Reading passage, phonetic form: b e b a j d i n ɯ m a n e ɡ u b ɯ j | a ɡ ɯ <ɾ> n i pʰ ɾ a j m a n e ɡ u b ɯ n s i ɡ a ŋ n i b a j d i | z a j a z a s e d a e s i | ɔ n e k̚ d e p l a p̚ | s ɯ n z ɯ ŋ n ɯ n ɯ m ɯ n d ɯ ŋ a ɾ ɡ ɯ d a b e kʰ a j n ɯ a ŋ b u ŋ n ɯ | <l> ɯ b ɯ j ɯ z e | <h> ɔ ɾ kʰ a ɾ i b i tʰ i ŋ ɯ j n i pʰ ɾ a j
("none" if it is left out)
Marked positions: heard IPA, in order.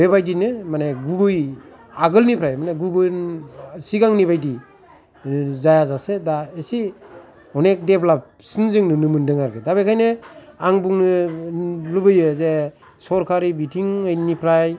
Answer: l, l, s

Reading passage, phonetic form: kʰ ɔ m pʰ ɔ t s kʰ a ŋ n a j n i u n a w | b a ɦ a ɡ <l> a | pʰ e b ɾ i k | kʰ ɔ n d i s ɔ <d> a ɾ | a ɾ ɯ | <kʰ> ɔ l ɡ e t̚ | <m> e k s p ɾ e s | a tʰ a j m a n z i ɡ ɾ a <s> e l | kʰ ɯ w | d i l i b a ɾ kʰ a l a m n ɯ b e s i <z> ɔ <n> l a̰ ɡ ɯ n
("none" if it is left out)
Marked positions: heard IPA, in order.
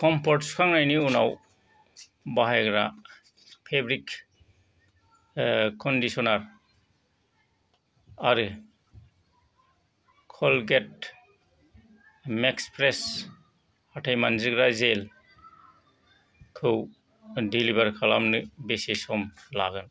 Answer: ɾ, n, kʰ, m, z, s, m

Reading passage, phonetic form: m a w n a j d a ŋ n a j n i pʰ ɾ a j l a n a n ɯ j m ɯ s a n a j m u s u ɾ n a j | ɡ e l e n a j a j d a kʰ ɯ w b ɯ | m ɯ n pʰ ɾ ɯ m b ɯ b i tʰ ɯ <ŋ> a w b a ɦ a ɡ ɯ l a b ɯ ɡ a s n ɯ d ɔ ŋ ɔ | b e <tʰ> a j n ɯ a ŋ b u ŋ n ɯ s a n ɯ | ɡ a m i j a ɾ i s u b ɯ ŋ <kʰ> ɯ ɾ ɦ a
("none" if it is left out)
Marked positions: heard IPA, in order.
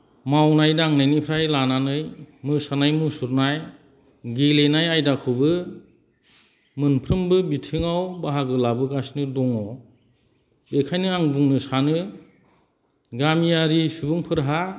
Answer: ŋ, kʰ, pʰ

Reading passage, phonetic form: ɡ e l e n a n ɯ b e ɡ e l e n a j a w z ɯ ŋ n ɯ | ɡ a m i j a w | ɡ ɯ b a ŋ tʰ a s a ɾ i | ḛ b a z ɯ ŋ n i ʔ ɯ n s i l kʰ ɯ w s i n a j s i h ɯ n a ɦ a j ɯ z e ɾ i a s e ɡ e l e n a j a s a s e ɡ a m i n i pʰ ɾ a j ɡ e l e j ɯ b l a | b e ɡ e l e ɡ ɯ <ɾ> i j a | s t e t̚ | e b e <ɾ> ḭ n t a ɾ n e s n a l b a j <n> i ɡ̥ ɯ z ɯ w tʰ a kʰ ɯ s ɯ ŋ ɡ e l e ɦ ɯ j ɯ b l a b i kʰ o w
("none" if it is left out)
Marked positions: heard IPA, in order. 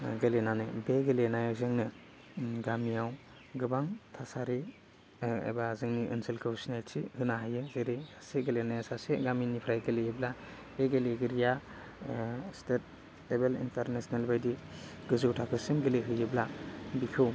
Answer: ɾ, l, d

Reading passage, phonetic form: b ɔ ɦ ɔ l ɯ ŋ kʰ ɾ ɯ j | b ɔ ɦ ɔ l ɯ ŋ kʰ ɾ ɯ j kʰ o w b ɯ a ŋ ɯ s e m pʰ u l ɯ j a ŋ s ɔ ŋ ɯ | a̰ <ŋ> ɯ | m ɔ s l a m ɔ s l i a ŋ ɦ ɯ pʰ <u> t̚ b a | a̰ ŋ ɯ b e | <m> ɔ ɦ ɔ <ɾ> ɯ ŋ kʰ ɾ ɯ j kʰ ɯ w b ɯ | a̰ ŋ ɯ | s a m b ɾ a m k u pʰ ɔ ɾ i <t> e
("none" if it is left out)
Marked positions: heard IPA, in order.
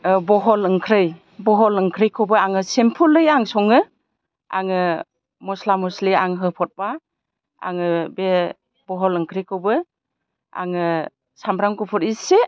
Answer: ŋ, ɔ, b, l, s

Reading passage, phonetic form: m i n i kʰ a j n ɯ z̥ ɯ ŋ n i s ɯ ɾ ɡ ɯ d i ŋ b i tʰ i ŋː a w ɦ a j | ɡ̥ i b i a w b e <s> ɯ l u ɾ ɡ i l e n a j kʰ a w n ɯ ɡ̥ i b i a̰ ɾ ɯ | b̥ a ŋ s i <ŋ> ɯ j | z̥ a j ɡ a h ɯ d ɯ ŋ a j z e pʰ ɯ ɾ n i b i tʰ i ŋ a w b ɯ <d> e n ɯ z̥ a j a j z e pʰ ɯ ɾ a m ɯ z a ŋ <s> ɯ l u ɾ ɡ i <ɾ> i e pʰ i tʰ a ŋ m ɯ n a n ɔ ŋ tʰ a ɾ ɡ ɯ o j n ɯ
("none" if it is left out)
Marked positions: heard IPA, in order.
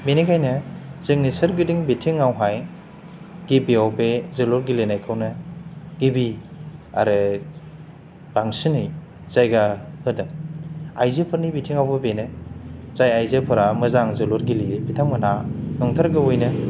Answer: z, n, b, z, l

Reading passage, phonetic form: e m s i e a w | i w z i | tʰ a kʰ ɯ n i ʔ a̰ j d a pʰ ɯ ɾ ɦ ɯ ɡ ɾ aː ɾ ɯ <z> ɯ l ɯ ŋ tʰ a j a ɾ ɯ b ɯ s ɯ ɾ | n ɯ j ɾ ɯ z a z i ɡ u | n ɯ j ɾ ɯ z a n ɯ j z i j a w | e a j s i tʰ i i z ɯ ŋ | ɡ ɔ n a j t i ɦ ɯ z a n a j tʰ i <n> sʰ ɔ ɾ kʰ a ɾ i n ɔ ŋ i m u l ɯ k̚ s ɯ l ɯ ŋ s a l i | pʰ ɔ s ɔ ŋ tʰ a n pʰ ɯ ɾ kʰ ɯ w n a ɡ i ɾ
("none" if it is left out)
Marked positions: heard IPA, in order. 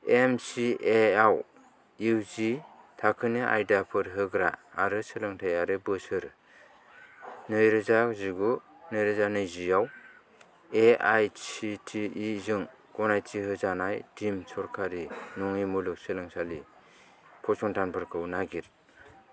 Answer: s, m

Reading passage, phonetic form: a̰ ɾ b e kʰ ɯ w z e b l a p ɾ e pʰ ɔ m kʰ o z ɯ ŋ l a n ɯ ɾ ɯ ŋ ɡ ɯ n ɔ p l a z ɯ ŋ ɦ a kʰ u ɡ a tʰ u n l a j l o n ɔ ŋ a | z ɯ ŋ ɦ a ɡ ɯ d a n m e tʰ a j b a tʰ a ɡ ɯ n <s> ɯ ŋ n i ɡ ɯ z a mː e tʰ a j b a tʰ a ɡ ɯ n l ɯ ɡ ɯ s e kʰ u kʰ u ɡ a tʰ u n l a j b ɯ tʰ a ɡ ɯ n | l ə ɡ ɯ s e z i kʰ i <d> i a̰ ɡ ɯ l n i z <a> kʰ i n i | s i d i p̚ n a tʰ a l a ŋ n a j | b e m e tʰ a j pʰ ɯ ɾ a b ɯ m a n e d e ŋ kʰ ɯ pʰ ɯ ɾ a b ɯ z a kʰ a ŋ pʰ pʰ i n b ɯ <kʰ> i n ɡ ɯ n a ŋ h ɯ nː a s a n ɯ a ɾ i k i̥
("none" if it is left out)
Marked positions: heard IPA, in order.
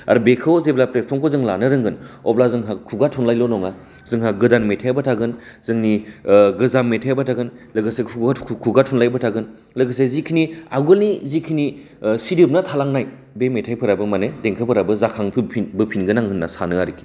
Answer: z, n, i, pʰ

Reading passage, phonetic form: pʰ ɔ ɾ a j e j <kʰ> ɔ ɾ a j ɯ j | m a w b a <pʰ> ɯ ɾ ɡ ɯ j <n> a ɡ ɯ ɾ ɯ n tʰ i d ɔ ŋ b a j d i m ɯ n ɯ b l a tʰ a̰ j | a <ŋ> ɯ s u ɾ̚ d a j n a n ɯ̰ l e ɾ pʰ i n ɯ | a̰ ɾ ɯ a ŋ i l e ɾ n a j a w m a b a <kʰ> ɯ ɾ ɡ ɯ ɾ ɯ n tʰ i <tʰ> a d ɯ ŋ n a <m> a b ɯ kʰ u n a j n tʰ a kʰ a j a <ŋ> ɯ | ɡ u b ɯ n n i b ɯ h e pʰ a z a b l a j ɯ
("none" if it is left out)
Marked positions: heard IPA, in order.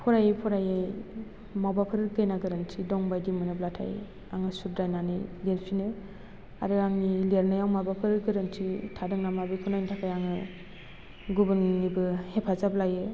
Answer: pʰ, pʰ, n, ŋ, pʰ, tʰ, m, ŋ

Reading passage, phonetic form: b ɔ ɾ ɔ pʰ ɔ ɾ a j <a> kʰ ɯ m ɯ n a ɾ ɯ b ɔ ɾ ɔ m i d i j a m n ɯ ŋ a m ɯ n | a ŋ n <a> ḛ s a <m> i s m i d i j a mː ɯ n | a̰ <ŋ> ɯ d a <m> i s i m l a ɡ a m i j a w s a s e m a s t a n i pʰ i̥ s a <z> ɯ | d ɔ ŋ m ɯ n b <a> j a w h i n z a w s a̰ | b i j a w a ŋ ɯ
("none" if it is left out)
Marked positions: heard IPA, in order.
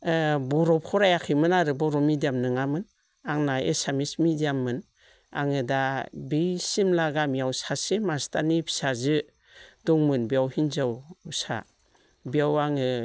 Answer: a, a, m, ŋ, b, z, i

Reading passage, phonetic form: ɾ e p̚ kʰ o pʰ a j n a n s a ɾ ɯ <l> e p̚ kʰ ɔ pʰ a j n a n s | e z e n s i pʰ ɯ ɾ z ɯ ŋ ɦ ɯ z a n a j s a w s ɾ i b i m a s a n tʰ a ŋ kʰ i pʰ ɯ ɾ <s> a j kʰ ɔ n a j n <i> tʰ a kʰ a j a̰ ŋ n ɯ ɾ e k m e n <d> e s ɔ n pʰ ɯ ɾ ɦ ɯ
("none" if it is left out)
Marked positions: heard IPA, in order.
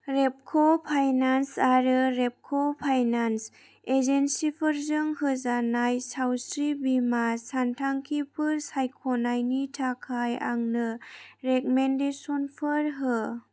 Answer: ɾ, s, i, d

